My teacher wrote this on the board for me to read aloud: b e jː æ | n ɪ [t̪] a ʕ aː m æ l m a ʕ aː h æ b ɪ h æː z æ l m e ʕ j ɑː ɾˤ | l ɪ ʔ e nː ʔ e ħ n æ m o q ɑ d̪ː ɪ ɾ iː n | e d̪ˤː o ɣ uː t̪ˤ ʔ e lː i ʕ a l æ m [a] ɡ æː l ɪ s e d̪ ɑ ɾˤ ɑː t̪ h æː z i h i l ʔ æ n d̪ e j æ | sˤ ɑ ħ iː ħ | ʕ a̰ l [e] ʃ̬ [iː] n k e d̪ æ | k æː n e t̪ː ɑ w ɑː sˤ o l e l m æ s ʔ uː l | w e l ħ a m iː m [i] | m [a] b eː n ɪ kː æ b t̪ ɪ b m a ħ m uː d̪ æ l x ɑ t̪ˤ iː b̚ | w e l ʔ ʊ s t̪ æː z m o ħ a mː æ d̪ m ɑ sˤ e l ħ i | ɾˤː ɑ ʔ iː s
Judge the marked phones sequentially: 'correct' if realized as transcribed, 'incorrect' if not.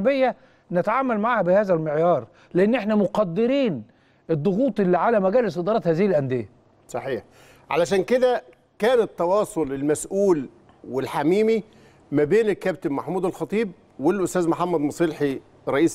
correct, incorrect, incorrect, incorrect, correct, incorrect

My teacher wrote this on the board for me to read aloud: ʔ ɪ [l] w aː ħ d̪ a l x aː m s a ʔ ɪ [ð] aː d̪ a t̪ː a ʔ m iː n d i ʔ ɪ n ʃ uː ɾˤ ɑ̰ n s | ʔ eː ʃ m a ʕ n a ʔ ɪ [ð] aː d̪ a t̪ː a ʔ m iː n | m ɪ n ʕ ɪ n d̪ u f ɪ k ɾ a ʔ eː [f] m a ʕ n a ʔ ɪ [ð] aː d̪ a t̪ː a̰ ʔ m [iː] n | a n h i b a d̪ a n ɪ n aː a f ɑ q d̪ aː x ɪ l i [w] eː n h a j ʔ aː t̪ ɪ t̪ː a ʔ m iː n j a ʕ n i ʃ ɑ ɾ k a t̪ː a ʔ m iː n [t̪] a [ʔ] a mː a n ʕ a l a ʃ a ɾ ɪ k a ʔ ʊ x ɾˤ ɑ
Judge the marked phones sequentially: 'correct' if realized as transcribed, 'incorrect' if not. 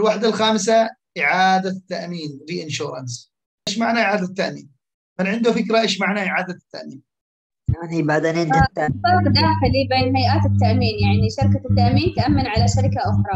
correct, incorrect, incorrect, incorrect, incorrect, correct, incorrect, correct, correct

